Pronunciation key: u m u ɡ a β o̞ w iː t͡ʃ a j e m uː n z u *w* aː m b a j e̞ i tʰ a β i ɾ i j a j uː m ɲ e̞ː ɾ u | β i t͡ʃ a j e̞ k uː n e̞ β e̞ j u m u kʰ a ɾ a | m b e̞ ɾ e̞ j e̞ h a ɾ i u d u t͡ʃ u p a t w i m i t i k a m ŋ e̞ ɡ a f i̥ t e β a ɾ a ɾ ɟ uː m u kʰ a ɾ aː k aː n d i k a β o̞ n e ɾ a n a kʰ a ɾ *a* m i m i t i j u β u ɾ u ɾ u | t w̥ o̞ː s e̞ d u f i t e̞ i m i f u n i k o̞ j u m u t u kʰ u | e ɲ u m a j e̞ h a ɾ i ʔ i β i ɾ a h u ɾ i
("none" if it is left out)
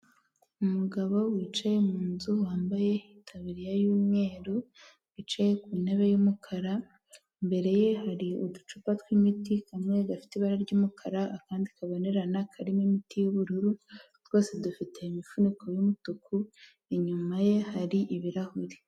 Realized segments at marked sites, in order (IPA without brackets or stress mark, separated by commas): w, i